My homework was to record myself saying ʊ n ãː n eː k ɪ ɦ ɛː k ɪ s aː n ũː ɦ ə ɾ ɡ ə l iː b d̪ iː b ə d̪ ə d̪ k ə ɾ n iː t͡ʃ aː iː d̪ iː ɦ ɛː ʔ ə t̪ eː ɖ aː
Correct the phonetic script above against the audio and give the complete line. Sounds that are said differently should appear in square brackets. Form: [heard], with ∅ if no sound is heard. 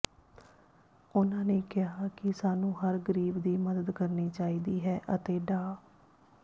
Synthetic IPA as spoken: ʊ n ãː n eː k ɪ ɦ [aː] k ɪ s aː n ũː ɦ ə ɾ ɡ ə [ɾ] iː b d̪ iː [m] ə d̪ ə d̪ k ə ɾ n iː t͡ʃ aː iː d̪ iː ɦ ɛː ʔ ə t̪ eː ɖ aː